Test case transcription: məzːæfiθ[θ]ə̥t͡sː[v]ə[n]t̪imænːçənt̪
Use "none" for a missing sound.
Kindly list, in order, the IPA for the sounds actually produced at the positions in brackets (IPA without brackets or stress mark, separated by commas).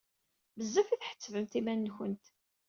ħ, v, m